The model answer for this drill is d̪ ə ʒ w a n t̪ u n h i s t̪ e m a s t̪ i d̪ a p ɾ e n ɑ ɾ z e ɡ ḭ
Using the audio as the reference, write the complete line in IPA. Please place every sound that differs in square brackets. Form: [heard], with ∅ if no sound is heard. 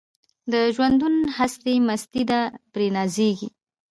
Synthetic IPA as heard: d̪ ə ʒ w a n [d̪] u n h [a] s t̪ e m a s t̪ i d̪ a p ɾ e n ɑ [∅] z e ɡ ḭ